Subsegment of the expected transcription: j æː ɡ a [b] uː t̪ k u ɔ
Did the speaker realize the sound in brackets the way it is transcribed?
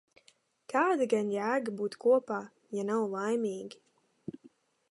yes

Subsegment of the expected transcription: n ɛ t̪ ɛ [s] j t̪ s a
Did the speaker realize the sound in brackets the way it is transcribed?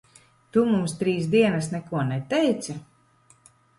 no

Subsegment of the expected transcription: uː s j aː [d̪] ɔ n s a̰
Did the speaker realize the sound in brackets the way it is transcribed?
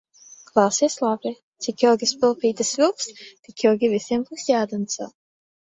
yes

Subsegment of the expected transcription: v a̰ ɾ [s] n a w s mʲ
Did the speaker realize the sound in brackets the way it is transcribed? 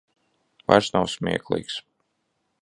yes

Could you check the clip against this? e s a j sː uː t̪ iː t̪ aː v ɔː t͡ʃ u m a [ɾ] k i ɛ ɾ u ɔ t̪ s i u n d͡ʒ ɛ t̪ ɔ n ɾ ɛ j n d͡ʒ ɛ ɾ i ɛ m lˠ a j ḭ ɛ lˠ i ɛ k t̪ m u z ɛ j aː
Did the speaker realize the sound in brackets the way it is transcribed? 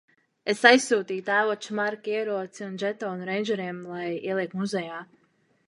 yes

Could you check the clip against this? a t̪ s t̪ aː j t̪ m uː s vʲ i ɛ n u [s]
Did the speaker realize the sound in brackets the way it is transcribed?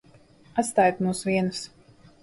yes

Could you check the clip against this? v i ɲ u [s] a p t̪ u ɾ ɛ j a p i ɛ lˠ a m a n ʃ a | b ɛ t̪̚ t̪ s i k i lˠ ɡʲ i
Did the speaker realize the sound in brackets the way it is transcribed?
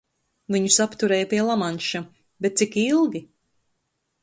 yes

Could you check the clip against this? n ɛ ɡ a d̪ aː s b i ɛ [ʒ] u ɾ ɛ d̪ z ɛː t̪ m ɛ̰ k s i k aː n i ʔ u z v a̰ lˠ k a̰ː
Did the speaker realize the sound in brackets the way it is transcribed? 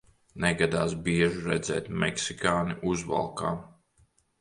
yes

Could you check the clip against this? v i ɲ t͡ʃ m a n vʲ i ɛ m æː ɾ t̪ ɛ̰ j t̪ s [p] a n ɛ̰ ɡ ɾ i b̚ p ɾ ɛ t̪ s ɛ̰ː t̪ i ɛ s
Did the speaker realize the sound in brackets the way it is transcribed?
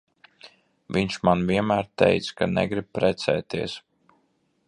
no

